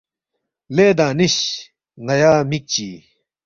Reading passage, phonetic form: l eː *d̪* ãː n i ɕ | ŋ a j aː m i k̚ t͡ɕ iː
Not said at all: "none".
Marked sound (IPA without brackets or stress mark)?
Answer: d̪